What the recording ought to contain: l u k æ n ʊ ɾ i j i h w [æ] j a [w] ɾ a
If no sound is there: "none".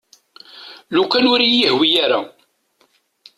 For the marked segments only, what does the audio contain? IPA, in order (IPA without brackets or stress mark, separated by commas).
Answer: i, none